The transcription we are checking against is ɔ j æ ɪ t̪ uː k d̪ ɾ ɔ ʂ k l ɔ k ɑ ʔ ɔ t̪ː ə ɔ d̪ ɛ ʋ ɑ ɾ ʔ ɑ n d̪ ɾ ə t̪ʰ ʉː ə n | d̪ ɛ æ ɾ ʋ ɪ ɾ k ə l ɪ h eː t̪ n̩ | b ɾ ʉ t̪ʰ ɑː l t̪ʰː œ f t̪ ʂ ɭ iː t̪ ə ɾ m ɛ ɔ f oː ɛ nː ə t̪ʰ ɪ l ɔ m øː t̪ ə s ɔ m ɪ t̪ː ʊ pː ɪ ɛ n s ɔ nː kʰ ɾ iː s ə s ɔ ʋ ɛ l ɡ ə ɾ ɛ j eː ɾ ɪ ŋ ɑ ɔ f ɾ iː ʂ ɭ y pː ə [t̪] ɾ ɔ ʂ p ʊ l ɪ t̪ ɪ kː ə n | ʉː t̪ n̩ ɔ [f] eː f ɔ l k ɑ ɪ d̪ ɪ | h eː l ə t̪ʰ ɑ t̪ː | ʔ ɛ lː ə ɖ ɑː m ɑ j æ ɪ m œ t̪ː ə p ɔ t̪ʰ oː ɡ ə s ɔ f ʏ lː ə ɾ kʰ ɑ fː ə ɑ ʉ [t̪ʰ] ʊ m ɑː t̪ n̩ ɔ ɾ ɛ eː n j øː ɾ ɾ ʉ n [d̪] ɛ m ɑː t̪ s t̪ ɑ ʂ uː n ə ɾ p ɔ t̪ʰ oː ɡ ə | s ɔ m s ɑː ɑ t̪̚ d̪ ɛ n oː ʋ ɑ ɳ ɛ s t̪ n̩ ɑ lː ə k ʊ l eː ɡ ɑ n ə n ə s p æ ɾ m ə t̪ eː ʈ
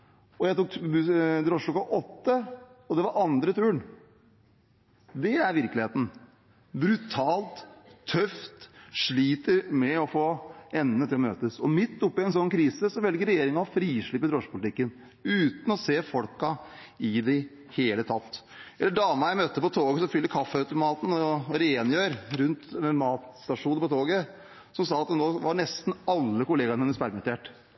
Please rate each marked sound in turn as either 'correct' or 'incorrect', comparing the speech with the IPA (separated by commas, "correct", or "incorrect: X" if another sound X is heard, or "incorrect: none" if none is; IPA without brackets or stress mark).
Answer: incorrect: d̪, incorrect: s, incorrect: t̪, incorrect: t̪